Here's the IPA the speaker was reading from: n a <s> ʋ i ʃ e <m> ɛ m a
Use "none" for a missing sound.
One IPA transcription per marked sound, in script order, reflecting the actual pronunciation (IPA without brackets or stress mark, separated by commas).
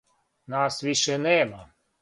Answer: s, n